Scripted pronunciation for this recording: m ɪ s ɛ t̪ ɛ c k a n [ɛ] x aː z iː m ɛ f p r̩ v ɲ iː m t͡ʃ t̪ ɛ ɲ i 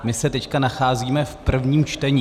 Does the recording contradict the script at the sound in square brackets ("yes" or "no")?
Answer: yes